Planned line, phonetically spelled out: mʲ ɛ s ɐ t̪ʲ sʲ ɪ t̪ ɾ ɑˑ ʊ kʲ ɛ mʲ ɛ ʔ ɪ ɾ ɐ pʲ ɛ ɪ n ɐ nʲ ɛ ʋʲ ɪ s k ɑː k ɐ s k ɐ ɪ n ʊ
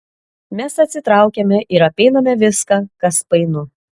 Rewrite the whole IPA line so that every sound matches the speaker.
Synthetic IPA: mʲ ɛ s ɐ t̪ʲ sʲ ɪ t̪ ɾ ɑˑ ʊ kʲ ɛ mʲ ɛ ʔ ɪ ɾ ɐ pʲ ɛ ɪ n ɐ mʲ ɛ ʋʲ ɪ s k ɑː k ɐ s p ɐ ɪ n ʊ